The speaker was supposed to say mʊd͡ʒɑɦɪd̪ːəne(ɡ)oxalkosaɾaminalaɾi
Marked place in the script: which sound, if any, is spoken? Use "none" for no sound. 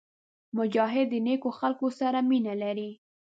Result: k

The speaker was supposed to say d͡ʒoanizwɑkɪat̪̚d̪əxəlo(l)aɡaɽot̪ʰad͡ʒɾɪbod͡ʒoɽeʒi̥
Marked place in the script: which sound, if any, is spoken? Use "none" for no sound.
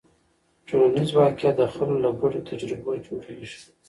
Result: l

